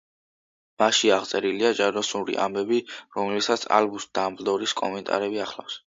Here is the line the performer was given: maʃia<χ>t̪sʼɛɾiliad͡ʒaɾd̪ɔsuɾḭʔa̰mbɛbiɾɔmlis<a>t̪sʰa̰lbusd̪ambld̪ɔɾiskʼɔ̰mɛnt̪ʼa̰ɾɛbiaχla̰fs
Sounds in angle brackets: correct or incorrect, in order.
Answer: incorrect: ʁ, correct

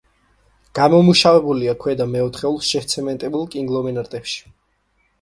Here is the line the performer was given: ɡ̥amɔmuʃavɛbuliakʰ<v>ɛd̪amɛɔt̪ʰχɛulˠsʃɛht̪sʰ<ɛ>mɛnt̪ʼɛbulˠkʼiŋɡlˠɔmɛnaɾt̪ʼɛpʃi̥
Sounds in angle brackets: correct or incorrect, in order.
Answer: incorrect: w, correct

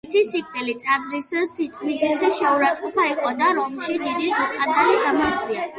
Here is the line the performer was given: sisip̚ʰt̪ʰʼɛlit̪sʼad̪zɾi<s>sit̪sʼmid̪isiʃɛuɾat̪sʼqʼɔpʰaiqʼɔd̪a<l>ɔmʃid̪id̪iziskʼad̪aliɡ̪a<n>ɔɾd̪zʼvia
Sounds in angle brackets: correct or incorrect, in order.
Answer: correct, incorrect: ɾ, incorrect: m

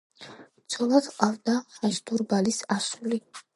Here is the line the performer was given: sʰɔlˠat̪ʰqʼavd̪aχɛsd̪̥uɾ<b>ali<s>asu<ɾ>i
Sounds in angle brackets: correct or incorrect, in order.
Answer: correct, correct, incorrect: l

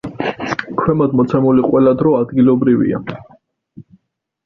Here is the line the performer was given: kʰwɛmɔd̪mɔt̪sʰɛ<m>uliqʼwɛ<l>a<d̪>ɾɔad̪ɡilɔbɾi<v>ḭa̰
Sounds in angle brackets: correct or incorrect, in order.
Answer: correct, correct, correct, correct

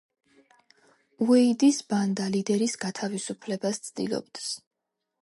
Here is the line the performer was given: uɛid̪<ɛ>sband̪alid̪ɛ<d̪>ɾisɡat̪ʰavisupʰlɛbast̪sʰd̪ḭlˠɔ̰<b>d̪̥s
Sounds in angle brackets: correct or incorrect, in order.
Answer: incorrect: i, incorrect: none, correct

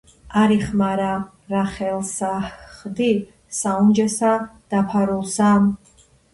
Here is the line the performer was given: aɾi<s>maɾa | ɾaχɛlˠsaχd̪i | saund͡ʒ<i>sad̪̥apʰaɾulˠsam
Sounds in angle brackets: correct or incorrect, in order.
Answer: incorrect: χ, incorrect: ɛ

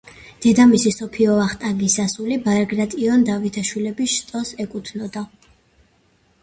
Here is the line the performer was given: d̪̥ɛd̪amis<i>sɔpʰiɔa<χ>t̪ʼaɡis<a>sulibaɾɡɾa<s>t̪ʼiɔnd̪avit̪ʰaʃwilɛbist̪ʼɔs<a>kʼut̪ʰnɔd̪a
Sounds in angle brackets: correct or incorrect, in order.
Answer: correct, correct, correct, incorrect: none, incorrect: ɛ

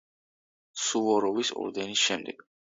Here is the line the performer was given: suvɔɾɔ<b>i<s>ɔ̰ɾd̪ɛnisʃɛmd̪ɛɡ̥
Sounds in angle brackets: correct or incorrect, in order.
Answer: incorrect: v, correct

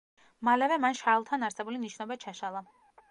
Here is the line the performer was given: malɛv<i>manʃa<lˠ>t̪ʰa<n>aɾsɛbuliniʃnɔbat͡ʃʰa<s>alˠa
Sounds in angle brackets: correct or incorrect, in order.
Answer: incorrect: ɛ, correct, correct, incorrect: ʃ

